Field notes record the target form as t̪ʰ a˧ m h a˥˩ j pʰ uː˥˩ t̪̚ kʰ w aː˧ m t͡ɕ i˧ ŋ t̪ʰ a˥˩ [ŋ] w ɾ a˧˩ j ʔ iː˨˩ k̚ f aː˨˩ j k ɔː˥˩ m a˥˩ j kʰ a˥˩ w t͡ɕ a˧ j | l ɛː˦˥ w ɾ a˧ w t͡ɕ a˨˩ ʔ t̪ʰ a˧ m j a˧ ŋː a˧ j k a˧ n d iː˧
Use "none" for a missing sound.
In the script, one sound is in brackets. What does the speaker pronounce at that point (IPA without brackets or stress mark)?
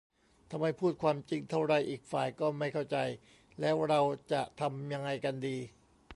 none